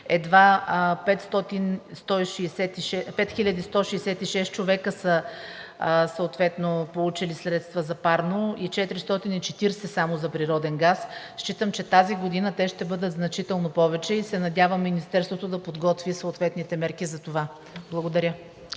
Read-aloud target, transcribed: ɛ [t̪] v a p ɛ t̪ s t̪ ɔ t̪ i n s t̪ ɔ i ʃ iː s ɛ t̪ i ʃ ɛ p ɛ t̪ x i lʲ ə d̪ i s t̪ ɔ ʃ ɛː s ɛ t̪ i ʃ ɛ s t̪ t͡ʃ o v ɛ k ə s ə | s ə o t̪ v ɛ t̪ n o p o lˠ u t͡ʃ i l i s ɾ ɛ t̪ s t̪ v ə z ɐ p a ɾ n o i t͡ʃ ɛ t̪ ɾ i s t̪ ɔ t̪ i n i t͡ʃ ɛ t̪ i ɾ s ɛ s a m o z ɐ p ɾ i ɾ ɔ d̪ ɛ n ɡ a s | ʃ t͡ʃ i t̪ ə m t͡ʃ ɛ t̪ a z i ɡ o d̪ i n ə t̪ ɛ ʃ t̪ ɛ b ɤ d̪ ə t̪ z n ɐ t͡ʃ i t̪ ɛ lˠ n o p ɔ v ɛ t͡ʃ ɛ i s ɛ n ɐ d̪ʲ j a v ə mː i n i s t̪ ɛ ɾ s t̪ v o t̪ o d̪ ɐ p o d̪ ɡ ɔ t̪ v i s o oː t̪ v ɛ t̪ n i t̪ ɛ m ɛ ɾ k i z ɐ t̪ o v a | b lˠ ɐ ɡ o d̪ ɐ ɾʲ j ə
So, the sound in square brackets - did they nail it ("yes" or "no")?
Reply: no